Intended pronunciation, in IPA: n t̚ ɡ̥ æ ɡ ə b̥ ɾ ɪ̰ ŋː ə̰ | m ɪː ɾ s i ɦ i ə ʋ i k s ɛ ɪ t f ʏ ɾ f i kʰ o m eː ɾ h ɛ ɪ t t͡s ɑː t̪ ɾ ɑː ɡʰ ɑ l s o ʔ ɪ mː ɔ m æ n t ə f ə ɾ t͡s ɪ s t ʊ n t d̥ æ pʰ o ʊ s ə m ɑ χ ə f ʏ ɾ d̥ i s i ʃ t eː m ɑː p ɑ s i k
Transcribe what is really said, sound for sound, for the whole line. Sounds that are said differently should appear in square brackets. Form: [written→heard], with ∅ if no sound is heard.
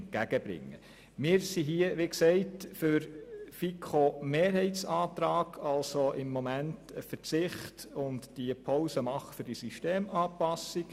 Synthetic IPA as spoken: n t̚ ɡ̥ æ ɡ ə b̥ ɾ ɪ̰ ŋː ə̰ | m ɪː ɾ s i ɦ i ə ʋ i k s ɛ ɪ t f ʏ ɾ f i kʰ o m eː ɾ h ɛ ɪ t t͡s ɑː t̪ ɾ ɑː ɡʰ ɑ l s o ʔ ɪ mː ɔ m æ n t ə f ə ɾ t͡s ɪ [s→χ] t ʊ n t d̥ [æ→i] pʰ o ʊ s ə m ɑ χ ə f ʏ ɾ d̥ i s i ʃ t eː m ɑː p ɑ s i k

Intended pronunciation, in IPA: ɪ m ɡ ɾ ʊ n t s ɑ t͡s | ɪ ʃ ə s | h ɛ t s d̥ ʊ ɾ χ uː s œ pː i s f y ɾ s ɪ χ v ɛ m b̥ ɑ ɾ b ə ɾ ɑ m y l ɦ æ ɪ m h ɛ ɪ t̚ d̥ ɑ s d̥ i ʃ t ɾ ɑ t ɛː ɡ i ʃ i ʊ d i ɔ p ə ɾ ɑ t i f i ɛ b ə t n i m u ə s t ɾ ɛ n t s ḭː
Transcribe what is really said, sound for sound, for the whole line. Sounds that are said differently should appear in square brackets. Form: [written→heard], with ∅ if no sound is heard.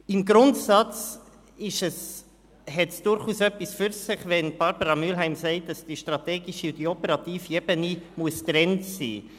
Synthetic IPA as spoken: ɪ m ɡ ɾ ʊ n t s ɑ t͡s | ɪ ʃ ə s | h ɛ t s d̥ ʊ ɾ χ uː s œ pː i s f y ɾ s ɪ χ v ɛ [m→n] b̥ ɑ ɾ b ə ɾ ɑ m y l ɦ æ ɪ m [h→s] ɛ ɪ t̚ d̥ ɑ s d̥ i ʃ t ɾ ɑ t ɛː ɡ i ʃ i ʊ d i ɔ p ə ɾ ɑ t [i→iː] f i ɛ b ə [t→∅] n i m u ə s t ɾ ɛ n t s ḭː

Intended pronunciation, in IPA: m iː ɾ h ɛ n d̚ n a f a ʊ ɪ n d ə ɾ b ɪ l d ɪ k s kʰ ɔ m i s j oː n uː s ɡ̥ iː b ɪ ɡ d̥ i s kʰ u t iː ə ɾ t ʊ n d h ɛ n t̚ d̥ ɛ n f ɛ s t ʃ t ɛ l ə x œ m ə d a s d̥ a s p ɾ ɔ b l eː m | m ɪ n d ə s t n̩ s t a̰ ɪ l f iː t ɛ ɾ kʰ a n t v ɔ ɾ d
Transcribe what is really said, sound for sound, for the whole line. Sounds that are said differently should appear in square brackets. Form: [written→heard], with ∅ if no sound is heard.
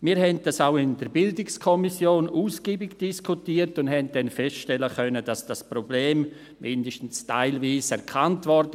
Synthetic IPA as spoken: m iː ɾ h ɛ n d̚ [n→d] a [f→s] a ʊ ɪ n d ə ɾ b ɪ l d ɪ k s kʰ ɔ m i s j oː n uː s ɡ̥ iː b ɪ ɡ d̥ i s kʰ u t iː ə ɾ t ʊ n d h ɛ n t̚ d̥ ɛ n f ɛ s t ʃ t ɛ l ə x œ [m→n] ə d a s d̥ a s p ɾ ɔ b l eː m | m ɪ n d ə [s→ʃ] t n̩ s t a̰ ɪ l [f→v] iː [t→s] ɛ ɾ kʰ a n t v ɔ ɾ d

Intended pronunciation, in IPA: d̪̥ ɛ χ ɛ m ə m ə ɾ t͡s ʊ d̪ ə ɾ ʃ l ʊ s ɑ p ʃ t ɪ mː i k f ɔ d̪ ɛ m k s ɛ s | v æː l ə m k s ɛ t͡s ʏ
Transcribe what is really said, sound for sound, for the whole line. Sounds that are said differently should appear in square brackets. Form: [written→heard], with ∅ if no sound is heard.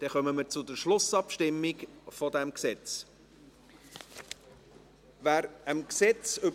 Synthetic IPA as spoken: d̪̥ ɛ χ [ɛ→œ] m ə m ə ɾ t͡s ʊ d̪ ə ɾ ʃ l ʊ s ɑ p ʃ t ɪ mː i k f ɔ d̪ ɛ m k s ɛ [s→t͡s] | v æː [l→ɾ] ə m k s ɛ t͡s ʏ

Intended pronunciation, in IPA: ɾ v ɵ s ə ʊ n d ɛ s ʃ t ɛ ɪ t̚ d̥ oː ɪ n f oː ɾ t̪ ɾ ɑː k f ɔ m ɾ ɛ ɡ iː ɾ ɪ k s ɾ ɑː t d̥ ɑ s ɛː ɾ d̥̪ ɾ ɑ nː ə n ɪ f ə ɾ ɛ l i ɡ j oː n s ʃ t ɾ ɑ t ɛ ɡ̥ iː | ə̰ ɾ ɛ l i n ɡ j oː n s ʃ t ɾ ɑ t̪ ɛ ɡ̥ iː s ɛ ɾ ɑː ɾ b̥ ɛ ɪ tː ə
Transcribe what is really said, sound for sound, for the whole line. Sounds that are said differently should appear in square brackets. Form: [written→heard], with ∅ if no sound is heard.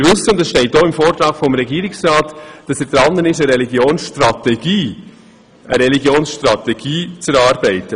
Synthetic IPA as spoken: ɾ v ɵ s ə ʊ n d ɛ s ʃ t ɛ ɪ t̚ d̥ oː ɪ [n→m] f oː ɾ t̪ ɾ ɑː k f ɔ m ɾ ɛ ɡ iː ɾ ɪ k s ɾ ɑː t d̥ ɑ s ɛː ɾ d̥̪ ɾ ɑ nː ə n ɪ [f→ʃ] ə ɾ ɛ l i ɡ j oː n s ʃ t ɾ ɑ t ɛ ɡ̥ iː | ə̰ ɾ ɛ l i [n→∅] ɡ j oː n s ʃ t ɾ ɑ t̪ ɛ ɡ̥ iː [s→t͡s] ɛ ɾ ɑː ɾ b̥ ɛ ɪ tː ə

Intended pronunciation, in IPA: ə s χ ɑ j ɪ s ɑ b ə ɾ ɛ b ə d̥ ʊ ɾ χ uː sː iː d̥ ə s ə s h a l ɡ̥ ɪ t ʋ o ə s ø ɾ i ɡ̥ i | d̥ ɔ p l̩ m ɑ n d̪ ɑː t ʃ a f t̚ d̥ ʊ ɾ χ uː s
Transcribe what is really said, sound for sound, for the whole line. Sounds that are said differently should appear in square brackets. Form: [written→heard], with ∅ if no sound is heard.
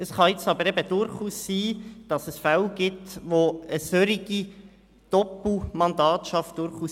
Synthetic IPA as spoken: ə s χ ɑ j ɪ [s→t͡s] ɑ b ə ɾ ɛ b ə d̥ ʊ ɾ χ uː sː iː d̥ [ə→ɑ] s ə s [h→f] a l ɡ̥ ɪ t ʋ o ə s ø ɾ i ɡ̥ i | d̥ ɔ p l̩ m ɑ n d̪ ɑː t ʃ [a→ɑ] f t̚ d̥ ʊ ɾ χ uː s

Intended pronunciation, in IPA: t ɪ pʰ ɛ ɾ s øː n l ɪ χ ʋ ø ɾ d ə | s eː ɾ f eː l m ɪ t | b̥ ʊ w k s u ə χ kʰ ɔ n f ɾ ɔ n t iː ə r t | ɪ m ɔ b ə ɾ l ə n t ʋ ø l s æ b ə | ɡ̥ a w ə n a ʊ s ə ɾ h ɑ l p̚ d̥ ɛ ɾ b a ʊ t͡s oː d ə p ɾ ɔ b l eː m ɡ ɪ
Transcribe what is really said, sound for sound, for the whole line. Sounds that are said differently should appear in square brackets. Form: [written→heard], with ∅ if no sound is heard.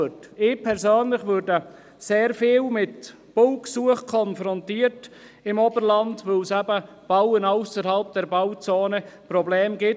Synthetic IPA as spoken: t ɪ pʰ ɛ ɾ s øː n l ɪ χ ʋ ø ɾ d ə | s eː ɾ f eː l m ɪ t | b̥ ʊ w k s u ə χ kʰ ɔ n f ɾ ɔ n t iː ə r t | ɪ m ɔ b ə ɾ l [ə→ɑ] n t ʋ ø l s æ b ə | [ɡ̥→b̥] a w ə n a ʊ s ə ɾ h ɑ l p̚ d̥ ɛ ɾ b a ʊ t͡s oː [d→n] ə p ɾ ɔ b l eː m ɡ ɪ

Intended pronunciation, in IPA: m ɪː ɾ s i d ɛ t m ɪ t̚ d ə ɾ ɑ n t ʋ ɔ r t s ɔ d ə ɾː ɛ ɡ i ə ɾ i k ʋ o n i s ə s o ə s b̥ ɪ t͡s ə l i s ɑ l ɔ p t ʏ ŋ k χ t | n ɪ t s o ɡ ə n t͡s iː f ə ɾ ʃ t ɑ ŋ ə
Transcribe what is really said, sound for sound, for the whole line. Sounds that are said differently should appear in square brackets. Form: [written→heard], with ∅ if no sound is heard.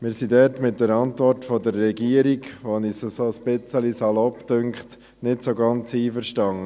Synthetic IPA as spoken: m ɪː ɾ s i d ɛ t m ɪ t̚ d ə ɾ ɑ n t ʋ ɔ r t [s→f] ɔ d ə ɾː ɛ ɡ i ə ɾ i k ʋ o n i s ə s o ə s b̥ ɪ t͡s ə l i s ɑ l ɔ p t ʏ ŋ k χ t | n ɪ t s o ɡ [ə→ɑ] n t͡s iː f ə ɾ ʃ t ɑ ŋ ə

